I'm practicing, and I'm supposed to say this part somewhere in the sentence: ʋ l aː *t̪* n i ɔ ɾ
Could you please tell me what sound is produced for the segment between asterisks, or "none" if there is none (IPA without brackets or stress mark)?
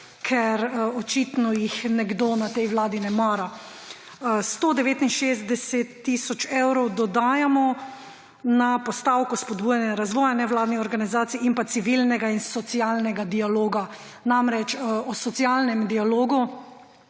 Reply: d̪